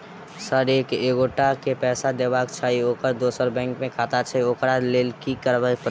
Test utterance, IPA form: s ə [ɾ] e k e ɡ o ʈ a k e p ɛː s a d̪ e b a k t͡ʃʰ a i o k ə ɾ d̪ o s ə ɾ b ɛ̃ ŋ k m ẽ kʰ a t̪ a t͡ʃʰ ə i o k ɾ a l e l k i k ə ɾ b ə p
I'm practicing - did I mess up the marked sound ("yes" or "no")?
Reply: no